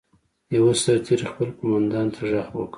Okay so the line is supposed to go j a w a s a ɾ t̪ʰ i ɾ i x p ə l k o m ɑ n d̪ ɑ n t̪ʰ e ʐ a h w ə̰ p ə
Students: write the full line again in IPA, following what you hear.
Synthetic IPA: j a w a s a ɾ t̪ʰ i ɾ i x p ə l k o m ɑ n d̪ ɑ n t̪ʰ a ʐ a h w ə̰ k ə